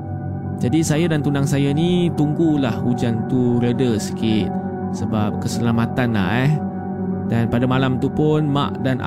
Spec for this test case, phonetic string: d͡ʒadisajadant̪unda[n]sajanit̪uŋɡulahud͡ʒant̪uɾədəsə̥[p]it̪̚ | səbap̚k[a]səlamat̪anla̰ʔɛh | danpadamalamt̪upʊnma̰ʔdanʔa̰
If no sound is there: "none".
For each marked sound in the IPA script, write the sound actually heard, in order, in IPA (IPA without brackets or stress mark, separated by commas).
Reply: ŋ, k, ə